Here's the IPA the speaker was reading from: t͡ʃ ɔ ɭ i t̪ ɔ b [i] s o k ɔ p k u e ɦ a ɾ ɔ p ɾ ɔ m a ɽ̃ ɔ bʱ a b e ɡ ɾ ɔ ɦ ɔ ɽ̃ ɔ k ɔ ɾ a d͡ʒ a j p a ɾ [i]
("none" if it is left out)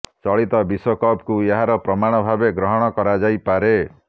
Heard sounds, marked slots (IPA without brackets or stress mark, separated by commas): i, e